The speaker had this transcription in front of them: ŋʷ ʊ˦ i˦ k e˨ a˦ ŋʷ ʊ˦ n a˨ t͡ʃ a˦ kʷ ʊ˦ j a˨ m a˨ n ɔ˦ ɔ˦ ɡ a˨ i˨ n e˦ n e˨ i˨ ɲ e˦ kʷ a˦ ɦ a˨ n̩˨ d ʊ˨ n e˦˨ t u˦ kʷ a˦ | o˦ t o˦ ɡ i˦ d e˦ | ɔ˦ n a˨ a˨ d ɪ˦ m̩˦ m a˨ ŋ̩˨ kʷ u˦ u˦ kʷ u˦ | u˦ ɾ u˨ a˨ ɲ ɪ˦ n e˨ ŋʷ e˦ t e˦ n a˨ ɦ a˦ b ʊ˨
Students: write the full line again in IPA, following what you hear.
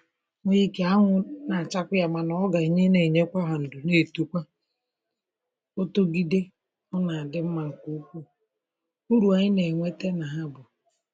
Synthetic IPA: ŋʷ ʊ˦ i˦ k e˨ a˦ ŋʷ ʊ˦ n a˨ t͡ʃ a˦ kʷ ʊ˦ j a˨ m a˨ n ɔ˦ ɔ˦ ɡ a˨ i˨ ɲ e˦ n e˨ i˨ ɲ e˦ kʷ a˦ ɦ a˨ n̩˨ d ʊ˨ n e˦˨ t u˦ kʷ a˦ | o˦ t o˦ ɡ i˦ d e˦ | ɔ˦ n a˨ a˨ d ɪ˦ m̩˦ m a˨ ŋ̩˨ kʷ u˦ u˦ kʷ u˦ | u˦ ɾ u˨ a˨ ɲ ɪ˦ n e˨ ŋʷ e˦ t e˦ n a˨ ɦ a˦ b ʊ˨